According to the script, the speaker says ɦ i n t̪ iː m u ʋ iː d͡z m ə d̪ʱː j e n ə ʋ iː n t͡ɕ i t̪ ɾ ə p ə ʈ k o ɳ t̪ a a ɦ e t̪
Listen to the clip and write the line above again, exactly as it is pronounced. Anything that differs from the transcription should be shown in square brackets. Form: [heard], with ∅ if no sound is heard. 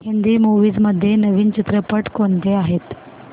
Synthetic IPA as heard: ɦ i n [d̪] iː m u ʋ iː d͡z m ə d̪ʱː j e n ə ʋ iː n t͡ɕ i t̪ ɾ ə p ə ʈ k o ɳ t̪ [e] a ɦ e t̪